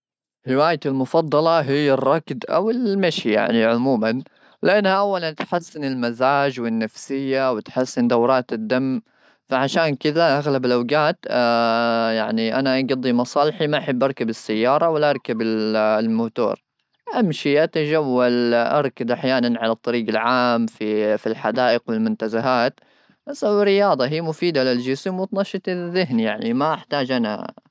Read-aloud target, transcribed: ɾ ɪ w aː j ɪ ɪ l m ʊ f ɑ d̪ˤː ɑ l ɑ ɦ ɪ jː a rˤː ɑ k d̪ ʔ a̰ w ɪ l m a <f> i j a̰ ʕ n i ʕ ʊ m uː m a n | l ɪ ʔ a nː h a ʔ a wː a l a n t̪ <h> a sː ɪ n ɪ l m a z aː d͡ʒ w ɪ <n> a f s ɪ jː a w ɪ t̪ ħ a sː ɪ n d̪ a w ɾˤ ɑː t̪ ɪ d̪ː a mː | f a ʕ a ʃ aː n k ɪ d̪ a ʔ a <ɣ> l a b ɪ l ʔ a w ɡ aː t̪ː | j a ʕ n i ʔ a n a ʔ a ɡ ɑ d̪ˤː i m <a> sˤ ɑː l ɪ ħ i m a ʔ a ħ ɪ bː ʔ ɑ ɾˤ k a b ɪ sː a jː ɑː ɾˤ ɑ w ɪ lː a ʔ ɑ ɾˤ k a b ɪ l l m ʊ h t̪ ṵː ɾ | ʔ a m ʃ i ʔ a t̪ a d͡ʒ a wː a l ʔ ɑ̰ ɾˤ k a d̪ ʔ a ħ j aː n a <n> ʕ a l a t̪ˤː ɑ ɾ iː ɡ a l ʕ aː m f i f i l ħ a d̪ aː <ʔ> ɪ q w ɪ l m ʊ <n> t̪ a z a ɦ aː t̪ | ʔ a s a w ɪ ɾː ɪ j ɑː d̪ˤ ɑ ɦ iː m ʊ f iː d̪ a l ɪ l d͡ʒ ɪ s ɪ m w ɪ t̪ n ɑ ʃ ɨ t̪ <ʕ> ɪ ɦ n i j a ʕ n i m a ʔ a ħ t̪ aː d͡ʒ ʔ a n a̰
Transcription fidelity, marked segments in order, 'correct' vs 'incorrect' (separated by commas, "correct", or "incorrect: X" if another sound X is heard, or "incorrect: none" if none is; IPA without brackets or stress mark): incorrect: ʃ, incorrect: ħ, incorrect: nː, correct, incorrect: ɑ, correct, correct, correct, incorrect: ð